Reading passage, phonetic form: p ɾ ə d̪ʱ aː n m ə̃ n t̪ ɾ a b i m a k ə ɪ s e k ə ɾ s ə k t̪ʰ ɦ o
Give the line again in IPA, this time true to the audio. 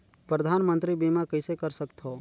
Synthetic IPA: p ɾ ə d̪ʱ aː n m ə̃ n t̪ ɾ i b i m a k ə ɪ s e k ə ɾ s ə k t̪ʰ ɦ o

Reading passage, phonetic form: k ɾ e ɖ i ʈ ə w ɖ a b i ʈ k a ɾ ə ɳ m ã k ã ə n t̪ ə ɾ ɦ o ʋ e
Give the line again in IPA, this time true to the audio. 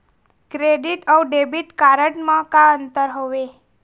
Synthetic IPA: k ɾ e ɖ i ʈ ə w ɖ e b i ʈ k a ɾ ə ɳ m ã k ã ə n t̪ ə ɾ ɦ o ʋ e

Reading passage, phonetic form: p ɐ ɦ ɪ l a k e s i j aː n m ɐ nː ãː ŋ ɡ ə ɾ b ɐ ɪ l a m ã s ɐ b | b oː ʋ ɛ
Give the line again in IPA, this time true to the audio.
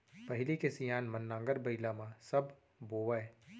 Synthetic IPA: p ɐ ɦ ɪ l i k e s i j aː n m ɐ nː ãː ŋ ɡ ə ɾ b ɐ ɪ l a m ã s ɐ b | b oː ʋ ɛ

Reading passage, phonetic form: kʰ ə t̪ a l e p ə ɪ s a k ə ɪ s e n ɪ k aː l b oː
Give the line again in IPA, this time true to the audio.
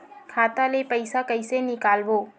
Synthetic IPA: kʰ a t̪ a l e p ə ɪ s a k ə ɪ s e n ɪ k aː l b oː

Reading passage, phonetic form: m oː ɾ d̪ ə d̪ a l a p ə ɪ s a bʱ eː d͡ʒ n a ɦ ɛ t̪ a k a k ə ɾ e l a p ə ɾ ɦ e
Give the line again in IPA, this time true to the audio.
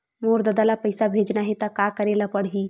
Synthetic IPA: m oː ɾ d̪ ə d̪ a l a p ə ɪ s a bʱ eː d͡ʒ n a ɦ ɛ t̪ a k a k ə ɾ e l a p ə ɽ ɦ i

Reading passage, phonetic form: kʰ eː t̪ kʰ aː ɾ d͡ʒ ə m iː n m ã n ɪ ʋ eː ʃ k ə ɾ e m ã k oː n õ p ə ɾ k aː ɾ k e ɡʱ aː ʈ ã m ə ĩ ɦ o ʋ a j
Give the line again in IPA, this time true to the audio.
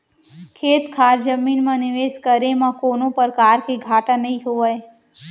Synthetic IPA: kʰ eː t̪ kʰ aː ɾ d͡ʒ ə m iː n m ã n ɪ ʋ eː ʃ k ə ɾ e m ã k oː n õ p ə ɾ k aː ɾ k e ɡʱ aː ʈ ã n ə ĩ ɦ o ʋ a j

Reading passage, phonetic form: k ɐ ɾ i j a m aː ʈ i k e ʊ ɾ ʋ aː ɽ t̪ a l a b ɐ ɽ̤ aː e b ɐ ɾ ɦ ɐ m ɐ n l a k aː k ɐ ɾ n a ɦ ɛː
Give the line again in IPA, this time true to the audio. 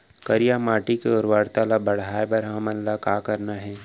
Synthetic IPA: k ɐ ɾ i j a m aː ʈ i k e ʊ ɾ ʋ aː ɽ t̪ a l a b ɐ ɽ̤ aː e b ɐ ɾ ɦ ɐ m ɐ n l a k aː k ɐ ɾ n a ɦ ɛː

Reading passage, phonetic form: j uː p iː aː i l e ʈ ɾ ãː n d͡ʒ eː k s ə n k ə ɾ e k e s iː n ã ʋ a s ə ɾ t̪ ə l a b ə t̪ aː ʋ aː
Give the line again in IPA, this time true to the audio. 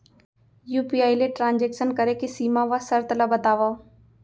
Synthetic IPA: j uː p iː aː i l e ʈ ɾ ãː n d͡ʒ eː k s ə n k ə ɾ e k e s iː m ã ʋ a s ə ɾ t̪ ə l a b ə t̪ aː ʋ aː

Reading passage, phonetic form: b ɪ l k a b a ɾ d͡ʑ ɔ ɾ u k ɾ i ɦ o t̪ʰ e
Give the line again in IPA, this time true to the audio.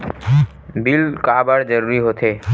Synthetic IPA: b i l k a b a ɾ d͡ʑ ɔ ɾ u ɾ i ɦ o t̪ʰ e

